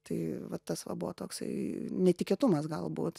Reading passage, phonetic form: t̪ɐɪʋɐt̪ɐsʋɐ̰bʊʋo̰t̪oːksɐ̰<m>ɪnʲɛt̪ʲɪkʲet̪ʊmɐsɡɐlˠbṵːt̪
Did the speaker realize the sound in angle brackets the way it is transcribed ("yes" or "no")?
no